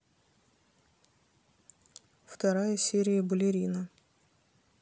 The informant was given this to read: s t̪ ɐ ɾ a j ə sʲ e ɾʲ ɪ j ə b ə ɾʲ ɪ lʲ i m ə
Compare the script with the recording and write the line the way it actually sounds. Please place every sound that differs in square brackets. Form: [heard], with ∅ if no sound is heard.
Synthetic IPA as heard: [f] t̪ ɐ ɾ a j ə sʲ e ɾʲ ɪ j ə b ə [lʲ] ɪ [ɾʲ] i [n] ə